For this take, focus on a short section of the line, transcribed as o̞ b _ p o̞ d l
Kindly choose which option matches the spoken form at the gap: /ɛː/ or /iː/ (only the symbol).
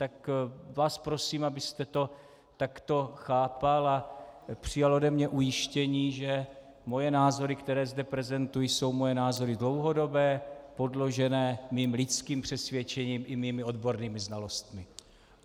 ɛː